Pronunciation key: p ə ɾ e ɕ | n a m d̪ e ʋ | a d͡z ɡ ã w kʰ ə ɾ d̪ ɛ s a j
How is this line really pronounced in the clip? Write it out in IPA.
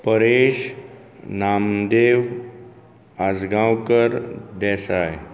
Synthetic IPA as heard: p ə ɾ e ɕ | n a m d̪ e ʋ | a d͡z ɡ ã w k ə ɾ d̪ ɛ s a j